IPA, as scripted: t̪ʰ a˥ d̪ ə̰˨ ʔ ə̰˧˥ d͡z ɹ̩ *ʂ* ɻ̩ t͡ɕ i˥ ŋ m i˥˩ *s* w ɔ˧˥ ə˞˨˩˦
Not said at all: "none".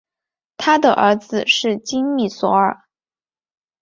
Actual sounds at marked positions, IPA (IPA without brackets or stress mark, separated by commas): ʂ, s